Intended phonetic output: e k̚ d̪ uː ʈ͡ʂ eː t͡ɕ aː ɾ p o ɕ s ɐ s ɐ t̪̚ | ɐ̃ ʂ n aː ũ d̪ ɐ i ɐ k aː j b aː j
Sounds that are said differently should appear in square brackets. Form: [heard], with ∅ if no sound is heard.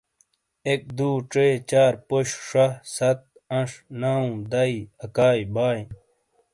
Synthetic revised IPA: e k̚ d̪ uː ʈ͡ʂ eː t͡ɕ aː ɾ p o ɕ [ʂ] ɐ s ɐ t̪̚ | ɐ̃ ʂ n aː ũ d̪ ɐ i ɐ k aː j b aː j